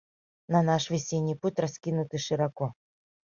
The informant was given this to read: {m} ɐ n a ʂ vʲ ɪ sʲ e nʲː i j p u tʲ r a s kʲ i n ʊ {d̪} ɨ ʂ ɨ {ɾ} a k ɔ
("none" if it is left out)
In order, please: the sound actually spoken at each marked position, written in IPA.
n, t̪, ɾ

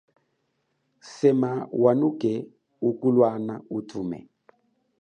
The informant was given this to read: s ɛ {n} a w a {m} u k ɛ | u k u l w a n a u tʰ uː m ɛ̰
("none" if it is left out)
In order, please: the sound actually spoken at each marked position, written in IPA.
m, n

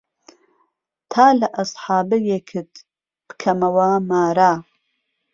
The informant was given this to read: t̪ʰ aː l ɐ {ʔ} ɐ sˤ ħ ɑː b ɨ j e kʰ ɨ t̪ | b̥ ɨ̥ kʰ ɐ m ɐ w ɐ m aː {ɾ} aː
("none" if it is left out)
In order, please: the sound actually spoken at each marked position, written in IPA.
ʔ, ɾ

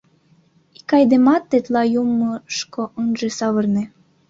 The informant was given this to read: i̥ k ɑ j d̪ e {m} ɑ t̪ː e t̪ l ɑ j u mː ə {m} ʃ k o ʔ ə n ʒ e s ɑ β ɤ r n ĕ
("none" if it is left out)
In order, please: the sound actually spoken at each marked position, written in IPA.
m, none

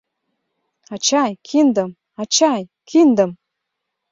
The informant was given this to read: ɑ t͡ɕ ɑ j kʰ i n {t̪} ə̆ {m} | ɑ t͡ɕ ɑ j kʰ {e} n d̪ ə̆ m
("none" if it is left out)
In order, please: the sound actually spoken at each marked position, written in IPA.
d̪, m, i

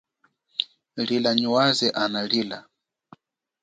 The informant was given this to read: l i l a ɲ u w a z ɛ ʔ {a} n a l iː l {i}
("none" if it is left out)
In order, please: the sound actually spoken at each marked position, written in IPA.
a, a

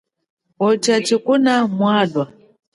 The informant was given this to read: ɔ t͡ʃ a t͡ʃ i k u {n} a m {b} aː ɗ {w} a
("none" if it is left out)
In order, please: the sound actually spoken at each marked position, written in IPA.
n, w, w

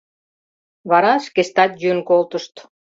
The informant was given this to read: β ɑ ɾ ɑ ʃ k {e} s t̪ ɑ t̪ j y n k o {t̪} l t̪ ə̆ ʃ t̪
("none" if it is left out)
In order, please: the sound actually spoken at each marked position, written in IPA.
e, none

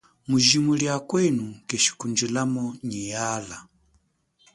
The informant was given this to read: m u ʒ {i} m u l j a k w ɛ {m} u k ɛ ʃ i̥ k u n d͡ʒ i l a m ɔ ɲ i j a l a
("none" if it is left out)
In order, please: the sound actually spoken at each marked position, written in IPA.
i, n

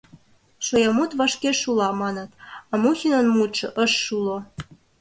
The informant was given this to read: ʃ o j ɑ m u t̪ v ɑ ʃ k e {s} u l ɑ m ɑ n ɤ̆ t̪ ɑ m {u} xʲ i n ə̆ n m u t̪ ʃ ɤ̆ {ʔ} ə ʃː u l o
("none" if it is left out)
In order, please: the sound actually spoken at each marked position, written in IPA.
ʃ, u, ʔ

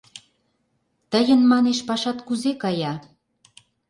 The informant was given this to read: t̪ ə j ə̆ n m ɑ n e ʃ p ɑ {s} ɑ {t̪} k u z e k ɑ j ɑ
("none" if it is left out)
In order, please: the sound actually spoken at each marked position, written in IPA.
ʃ, t̪

